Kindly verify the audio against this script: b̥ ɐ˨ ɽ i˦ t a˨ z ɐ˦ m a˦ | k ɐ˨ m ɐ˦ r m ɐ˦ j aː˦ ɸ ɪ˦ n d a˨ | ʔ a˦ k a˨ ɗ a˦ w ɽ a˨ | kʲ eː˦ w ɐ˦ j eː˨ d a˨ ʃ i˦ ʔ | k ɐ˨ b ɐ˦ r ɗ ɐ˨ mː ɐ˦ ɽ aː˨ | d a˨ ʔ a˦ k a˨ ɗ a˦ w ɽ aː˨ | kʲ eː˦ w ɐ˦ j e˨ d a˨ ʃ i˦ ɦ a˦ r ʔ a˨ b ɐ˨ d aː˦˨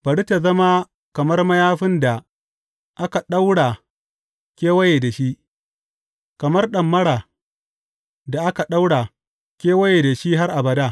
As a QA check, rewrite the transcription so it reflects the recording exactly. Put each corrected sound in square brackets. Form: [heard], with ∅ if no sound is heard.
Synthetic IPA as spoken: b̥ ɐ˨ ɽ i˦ t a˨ z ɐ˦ m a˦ | k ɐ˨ m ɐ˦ r m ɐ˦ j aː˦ ɸ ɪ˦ n d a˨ | ʔ a˦ k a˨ ɗ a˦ w ɽ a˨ | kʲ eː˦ w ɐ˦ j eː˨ d a˨ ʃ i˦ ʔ | k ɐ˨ [m] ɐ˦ r ɗ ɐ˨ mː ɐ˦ ɽ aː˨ | d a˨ ʔ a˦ k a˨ ɗ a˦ w ɽ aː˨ | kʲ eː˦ w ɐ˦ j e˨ d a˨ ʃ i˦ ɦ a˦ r ʔ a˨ b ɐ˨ d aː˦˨